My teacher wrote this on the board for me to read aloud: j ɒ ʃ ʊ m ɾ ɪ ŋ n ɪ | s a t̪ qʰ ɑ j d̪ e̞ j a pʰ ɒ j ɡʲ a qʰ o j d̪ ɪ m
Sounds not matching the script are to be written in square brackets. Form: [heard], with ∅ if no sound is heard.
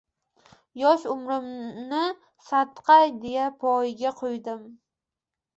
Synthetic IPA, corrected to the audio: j ɒ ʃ ʊ m ɾ ɪ [m] n ɪ | s a t̪ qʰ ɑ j d̪ e̞ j a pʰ ɒ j ɡʲ a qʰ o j d̪ ɪ m